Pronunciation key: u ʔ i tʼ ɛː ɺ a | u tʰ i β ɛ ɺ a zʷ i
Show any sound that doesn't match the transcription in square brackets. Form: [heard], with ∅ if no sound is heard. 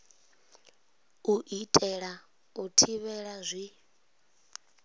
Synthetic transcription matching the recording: u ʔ i tʼ [ɛ] ɺ a | u tʰ i β ɛ ɺ a zʷ i